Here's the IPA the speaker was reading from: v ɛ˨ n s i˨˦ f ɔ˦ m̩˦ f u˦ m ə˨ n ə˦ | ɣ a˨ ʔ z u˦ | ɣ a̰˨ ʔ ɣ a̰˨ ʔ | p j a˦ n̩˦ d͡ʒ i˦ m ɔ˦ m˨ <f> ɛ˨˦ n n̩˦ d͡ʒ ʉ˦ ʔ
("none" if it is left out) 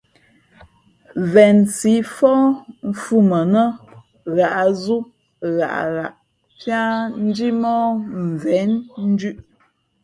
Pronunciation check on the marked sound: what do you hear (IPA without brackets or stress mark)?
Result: v